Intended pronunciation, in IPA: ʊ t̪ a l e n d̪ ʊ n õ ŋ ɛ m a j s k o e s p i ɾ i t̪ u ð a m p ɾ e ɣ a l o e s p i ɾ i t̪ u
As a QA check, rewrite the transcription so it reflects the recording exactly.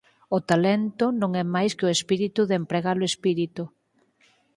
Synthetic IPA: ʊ t̪ a l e n t̪ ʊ n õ ŋ ɛ m a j s k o e s p i ɾ i t̪ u ð e m p ɾ e ɣ a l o e s p i ɾ i t̪ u

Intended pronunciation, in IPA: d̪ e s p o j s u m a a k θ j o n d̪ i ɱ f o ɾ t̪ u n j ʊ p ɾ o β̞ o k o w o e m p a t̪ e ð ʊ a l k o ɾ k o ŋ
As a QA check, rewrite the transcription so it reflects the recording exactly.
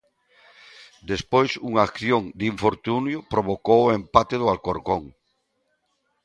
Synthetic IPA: d̪ e s p o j s u ŋ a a k θ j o ŋ d̪ i ɱ f o ɾ t̪ u n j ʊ p ɾ o β̞ o k o w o e m p a t̪ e ð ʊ a l k o ɾ k o ŋ

